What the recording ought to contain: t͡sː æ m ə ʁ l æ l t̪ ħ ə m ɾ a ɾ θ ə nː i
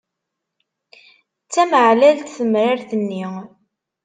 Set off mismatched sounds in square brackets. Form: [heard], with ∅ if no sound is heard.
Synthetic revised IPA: t͡sː æ m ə [ʕ] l æ l t̪ [θ] ə m ɾ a ɾ θ ə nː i